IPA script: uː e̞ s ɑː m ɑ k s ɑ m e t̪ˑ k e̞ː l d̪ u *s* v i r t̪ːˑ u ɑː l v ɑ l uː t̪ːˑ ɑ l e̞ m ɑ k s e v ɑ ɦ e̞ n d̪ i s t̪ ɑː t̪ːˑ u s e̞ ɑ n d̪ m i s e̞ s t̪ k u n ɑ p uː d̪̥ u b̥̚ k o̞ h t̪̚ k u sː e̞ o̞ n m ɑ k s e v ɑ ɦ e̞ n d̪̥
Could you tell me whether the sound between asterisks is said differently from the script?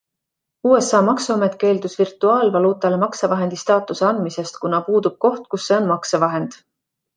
no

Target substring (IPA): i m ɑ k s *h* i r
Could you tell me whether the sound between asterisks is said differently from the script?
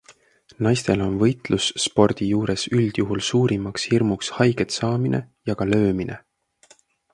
no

